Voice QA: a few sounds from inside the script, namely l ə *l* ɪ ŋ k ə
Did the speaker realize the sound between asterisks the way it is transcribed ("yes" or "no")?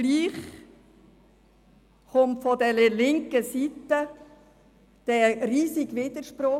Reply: yes